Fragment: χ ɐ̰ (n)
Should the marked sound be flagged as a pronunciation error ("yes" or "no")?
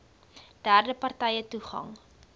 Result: yes